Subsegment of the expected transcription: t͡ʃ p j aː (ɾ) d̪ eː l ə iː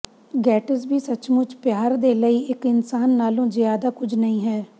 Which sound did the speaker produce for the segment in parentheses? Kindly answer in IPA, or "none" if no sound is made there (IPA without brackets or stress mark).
ɾ